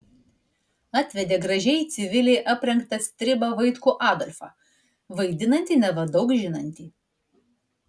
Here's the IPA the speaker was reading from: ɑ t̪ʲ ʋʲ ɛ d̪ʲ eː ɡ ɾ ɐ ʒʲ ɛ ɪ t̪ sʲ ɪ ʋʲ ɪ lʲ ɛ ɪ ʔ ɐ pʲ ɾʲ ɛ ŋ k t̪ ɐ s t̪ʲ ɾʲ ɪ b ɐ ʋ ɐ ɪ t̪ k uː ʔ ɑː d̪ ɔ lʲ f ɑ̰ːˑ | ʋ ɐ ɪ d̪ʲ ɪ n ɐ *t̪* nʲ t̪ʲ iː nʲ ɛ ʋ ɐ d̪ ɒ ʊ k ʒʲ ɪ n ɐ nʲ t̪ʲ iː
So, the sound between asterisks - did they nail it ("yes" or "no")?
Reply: no